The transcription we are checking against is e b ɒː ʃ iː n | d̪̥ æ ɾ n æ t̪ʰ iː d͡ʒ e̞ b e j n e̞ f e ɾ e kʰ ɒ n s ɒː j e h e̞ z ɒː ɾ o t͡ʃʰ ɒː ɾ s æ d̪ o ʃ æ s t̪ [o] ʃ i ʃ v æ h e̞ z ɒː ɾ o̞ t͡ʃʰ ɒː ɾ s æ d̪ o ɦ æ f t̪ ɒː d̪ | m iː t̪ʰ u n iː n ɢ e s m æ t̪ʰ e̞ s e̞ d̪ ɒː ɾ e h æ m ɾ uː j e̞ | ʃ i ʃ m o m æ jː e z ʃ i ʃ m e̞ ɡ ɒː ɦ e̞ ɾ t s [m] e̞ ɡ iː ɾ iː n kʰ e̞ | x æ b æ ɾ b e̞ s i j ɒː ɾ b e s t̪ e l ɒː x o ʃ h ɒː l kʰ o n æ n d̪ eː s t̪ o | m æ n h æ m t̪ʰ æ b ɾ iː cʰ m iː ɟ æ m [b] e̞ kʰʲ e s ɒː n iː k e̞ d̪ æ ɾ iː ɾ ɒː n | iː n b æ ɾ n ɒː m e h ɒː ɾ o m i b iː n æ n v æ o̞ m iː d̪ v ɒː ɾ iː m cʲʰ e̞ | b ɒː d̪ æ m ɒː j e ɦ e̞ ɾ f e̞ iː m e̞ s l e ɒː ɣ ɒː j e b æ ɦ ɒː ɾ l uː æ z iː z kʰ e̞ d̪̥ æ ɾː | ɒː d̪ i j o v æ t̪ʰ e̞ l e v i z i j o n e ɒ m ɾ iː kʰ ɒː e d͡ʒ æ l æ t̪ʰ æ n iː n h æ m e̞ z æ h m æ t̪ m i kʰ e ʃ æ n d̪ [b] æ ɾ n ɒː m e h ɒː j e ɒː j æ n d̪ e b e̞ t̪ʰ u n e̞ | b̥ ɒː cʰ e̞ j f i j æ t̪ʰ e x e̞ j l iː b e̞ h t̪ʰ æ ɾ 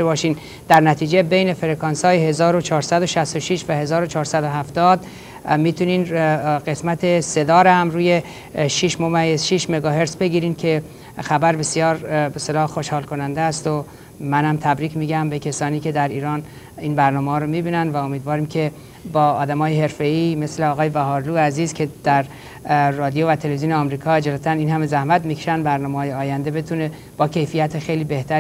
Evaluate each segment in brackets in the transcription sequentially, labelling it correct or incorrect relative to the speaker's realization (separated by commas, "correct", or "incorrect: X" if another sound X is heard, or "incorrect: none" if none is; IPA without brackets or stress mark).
correct, incorrect: b, correct, correct